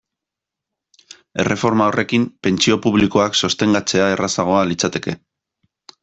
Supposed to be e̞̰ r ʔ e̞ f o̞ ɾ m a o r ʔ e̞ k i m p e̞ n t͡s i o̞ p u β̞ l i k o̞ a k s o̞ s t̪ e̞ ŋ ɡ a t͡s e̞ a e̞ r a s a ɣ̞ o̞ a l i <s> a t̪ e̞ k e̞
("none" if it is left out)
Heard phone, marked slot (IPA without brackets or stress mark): t͡s